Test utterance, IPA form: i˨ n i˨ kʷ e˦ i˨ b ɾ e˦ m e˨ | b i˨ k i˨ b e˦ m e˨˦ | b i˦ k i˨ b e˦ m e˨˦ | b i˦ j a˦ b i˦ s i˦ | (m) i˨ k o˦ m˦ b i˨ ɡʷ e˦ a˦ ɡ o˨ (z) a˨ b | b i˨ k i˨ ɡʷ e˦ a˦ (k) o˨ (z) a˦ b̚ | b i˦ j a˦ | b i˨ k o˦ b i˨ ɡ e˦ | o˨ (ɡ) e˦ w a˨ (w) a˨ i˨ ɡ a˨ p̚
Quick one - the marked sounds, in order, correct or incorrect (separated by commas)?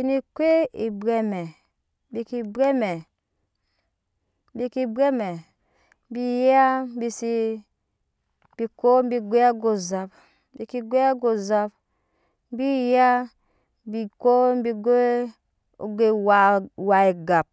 incorrect, correct, incorrect, correct, correct, correct